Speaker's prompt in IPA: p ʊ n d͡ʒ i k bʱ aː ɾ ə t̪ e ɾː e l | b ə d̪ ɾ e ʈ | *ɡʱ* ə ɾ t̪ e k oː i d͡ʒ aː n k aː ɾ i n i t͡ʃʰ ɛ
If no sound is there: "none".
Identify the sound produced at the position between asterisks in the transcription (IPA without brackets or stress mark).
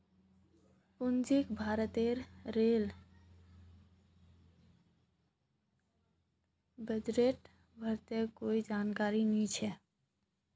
bʱ